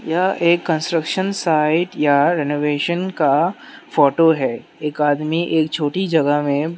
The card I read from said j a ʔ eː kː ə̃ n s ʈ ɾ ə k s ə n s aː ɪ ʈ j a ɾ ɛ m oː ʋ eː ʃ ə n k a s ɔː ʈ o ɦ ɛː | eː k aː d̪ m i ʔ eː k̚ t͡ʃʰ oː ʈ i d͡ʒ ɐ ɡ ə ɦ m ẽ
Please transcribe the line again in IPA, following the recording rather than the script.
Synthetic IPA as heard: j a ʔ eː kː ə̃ n s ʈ ɾ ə k ʃ ə n s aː ɪ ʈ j a ɾ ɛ n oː ʋ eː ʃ ə n k a f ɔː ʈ o ɦ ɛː | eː k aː d̪ m i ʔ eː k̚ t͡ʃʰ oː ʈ i d͡ʒ ɐ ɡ ə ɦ m ẽ